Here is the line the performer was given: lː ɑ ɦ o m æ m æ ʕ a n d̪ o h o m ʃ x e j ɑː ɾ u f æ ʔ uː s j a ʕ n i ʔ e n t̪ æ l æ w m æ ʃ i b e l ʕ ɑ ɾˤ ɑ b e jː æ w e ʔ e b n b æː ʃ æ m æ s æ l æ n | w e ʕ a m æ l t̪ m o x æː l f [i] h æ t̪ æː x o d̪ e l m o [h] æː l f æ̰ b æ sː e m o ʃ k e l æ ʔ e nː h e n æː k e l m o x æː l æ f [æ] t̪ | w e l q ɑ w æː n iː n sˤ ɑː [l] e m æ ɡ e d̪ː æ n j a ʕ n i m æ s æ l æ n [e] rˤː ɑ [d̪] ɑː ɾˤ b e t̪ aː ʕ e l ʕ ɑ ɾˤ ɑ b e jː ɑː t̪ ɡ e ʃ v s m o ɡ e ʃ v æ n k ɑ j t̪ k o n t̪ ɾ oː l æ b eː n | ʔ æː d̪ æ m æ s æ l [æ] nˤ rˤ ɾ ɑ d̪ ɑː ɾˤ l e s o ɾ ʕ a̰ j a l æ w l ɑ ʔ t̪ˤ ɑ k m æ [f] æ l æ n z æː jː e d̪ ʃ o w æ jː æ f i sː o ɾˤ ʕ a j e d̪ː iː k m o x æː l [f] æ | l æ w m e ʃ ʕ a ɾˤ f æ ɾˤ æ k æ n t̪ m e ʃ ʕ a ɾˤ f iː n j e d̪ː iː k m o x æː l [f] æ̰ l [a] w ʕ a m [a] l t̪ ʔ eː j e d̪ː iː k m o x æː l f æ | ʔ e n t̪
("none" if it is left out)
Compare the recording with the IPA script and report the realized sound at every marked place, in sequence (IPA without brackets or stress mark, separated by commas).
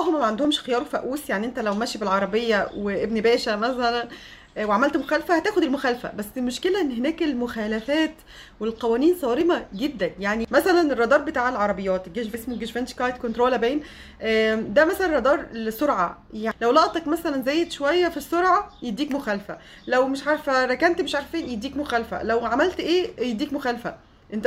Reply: æ, x, æː, ɾ, e, d̪, æ, s, f, f, æ, æ